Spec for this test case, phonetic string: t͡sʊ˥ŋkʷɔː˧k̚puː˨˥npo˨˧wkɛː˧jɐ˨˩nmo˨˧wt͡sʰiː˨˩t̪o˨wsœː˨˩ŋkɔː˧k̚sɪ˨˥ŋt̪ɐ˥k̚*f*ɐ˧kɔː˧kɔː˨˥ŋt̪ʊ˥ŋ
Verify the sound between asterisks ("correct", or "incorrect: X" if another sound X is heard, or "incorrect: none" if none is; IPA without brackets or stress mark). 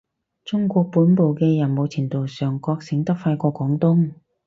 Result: correct